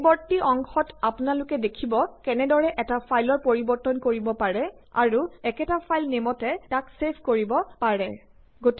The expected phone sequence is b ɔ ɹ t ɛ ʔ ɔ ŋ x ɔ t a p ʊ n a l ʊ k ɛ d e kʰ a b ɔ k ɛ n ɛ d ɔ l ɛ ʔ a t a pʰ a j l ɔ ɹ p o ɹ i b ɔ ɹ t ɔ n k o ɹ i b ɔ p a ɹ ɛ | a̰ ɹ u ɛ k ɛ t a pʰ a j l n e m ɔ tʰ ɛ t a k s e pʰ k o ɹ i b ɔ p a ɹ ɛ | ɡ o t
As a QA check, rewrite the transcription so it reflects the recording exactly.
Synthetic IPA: b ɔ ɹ t i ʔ ɔ ŋ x ɔ t a p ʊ n a l ʊ k ɛ d e kʰ i b ɔ k ɛ n ɛ d ɔ ɹ ɛ ʔ ɛ t a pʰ a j l ɔ ɹ p o ɹ i b ɔ ɹ t ɔ n k o ɹ i b ɔ p a ɹ ɛ | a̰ ɹ u ɛ k ɛ t a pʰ a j l n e m ɔ t ɛ t a k s e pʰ k o ɹ i b ɔ p a ɹ ɛ | ɡ o t

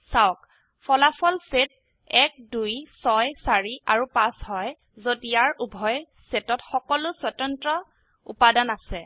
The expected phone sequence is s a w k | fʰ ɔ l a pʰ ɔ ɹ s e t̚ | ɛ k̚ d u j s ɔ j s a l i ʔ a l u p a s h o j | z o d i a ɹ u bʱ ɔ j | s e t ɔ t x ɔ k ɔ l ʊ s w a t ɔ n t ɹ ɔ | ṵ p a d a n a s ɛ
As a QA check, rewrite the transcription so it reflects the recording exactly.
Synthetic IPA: s a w k | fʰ ɔ l a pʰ ɔ l s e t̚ | ɛ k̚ d u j s ɔ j s a ɹ i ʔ a ɹ u p a s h ɔ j | z o d i a ɹ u bʱ ɔ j | s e t ɔ t x ɔ k ɔ l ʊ s w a t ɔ n t ɹ ɔ | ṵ p a d a n a s ɛ

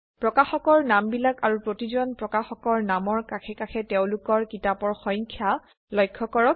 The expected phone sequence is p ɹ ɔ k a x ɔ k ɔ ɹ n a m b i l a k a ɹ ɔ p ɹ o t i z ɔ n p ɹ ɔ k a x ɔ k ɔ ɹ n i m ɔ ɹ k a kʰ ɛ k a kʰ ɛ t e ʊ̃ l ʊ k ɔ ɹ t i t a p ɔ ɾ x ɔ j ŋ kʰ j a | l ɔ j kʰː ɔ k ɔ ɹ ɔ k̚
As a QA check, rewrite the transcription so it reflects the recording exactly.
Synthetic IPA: p ɹ ɔ k a x ɔ k ɔ ɹ n a m b i l a k a ɹ u p ɹ o t i z ɔ n p ɹ ɔ k a x ɔ k ɔ ɹ n a m ɔ ɹ k a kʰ ɛ k a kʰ ɛ t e ʊ̃ l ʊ k ɔ ɹ k i t a p ɔ ɹ x ɔ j ŋ kʰ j a | l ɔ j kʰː ɔ k ɔ ɹ ɔ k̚

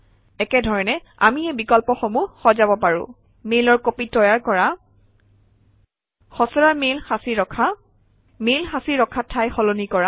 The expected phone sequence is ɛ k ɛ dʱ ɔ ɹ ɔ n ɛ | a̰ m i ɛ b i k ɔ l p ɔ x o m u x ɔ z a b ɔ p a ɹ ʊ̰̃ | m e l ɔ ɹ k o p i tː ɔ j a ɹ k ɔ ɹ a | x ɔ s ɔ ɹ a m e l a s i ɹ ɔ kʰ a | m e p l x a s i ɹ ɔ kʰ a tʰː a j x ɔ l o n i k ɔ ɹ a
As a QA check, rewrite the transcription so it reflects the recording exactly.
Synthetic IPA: ɛ k ɛ dʱ ɔ ɹ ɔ n ɛ | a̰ m i ɛ b i k ɔ l p ɔ x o m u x ɔ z a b ɔ p a ɹ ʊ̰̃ | m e l ɔ ɹ k o p i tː ɔ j a ɹ k ɔ ɹ a | x ɔ s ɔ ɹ a m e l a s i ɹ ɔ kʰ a | m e l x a s i ɹ ɔ kʰ a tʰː a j x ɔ l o n i k ɔ ɹ a

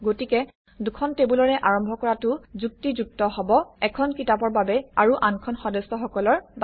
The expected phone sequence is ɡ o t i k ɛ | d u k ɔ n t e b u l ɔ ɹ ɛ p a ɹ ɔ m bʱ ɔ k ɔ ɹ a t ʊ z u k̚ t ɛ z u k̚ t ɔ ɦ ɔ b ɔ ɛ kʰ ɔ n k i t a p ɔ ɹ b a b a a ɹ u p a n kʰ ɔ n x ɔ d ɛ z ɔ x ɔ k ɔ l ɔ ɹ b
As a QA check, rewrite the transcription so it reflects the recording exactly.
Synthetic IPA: ɡ o t i k ɛ | d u kʰ ɔ n t e b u l ɔ ɹ ɛ ʔ a ɹ ɔ m bʱ ɔ k ɔ ɹ a t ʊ z u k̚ t i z u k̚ t ɔ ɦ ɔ b ɔ ɛ kʰ ɔ n k i t a p ɔ ɹ b a b ɛ a ɹ u ʔ a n kʰ ɔ n x ɔ d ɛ s ɔ x ɔ k ɔ l ɔ ɹ b

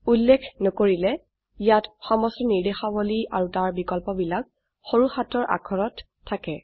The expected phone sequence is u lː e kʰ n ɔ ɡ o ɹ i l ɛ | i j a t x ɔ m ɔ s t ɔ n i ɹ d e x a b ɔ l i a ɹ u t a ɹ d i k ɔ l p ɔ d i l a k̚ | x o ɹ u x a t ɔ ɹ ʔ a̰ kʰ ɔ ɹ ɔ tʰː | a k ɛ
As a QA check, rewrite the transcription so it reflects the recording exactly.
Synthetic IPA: u lː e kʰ n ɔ k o ɹ i l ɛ | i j a t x ɔ m ɔ s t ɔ n i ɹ d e x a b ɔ l i a ɹ u t a ɹ b i k ɔ l p ɔ b i l a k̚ | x o ɹ u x a t ɔ ɹ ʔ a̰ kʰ ɔ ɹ ɔ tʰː | a k ɛ

